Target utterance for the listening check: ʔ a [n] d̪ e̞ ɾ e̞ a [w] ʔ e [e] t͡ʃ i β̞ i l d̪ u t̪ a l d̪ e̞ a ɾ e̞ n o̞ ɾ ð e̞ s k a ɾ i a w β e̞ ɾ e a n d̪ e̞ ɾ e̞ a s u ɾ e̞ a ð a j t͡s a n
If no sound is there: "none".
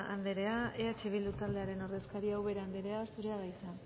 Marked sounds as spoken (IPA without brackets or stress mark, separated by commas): n, none, a